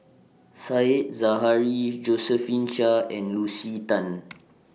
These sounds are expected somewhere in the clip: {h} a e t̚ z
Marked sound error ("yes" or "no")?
yes